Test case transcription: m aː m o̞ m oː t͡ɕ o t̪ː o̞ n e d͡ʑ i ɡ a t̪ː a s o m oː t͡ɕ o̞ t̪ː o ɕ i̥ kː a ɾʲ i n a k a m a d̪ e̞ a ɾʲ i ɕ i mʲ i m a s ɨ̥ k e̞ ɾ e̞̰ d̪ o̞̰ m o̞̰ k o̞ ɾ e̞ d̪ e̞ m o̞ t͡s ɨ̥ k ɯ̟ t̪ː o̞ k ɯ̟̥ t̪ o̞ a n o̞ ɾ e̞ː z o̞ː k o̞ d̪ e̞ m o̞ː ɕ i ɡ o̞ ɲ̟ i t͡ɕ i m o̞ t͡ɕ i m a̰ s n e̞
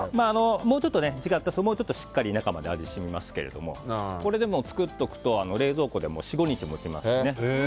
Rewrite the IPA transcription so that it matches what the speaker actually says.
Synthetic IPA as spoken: m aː n o̞ m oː t͡ɕ o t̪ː o̞ n e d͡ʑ i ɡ a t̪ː a s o m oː t͡ɕ o̞ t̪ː o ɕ i̥ kː a ɾʲ i n a k a m a d̪ e̞ a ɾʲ i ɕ i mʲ i m a s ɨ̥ k e̞ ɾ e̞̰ d̪ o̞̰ m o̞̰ k o̞ ɾ e̞ d̪ e̞ m o̞ t͡s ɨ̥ k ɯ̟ t̪ː o̞ k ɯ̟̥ t̪ o̞ a n o̞ ɾ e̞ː z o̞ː k o̞ d̪ e̞ m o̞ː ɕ i ɡ o̞ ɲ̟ i t͡ɕ i m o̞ t͡ɕ i m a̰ s n e̞